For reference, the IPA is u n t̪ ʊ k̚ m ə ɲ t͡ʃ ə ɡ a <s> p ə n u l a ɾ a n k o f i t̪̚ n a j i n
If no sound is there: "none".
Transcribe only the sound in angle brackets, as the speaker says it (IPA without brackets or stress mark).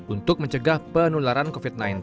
h